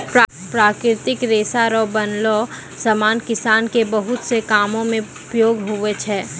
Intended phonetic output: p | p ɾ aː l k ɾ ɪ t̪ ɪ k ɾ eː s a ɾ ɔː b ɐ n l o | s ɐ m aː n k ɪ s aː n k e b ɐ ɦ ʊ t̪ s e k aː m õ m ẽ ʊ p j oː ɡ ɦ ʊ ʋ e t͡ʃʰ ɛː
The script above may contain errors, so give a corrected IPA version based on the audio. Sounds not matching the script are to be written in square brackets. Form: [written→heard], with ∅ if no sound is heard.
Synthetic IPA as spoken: p | p ɾ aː [l→∅] k ɾ ɪ t̪ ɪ k ɾ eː s a ɾ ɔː b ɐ n l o | s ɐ m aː n k ɪ s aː n k e b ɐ ɦ ʊ t̪ s e k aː m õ m ẽ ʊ p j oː ɡ ɦ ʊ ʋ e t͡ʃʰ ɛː